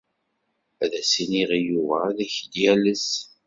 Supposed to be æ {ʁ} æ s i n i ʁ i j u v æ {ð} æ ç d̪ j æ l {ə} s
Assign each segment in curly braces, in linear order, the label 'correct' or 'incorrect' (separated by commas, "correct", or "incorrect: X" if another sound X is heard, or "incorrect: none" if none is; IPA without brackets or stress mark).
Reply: incorrect: ð, correct, correct